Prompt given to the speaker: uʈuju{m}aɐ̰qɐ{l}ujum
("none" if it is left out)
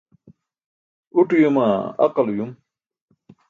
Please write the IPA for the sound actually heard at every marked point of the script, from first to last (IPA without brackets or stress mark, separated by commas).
m, l